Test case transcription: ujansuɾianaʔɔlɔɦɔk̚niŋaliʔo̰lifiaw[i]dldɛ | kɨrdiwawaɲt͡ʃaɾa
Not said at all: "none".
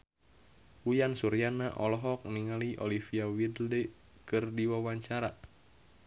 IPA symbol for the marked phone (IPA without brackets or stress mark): i